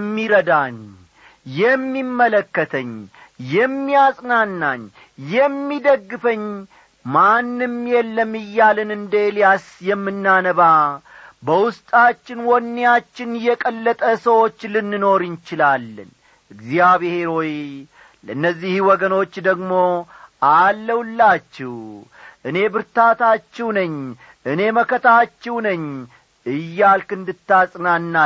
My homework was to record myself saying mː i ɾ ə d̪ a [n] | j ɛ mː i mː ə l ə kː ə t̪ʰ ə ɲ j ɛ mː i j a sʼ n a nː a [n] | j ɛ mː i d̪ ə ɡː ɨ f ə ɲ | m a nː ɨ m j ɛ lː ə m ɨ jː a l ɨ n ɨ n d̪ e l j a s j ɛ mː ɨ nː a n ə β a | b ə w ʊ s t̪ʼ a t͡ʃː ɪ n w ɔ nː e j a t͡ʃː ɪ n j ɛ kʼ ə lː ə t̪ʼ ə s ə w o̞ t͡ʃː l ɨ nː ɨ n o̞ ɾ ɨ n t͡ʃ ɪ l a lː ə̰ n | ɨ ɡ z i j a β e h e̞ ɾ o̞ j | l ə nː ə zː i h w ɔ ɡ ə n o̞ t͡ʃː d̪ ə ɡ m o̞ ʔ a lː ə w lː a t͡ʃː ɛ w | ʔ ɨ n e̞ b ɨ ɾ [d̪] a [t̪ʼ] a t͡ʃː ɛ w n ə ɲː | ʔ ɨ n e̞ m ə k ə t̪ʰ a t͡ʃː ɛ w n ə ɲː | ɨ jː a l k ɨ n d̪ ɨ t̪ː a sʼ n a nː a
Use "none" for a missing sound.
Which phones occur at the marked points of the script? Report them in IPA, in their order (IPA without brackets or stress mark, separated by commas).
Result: ɲ, ɲ, t̪, t̪